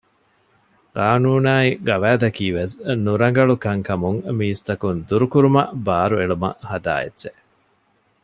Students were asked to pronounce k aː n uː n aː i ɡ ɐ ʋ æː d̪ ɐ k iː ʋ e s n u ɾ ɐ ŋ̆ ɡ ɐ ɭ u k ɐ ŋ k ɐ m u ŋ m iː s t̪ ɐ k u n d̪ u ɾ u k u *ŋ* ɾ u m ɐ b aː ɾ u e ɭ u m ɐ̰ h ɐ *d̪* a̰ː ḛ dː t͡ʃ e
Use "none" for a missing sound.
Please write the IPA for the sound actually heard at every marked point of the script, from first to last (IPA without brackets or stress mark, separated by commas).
none, d̪